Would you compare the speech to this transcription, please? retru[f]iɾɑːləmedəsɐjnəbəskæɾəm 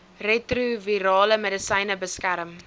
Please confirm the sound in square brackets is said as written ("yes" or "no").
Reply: no